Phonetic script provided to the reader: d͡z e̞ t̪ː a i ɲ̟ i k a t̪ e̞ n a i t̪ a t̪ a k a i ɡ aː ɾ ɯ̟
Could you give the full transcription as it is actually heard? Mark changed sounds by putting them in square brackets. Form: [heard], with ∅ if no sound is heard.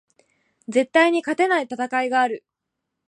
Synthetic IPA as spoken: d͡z e̞ t̪ː a i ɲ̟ i k a t̪ e̞ n a i t̪ a t̪ a k a i ɡ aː ɾ ɯ̟